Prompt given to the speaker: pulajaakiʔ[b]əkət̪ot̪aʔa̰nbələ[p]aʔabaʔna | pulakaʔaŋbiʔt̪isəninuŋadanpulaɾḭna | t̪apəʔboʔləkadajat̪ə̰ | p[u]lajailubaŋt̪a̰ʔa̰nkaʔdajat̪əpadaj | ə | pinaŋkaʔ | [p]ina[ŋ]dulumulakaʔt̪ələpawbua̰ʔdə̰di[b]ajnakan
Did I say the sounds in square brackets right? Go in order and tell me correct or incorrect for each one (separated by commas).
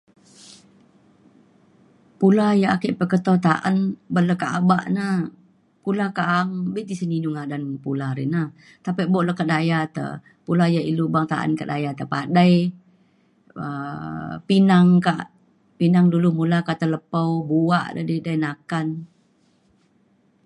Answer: incorrect, incorrect, correct, correct, correct, incorrect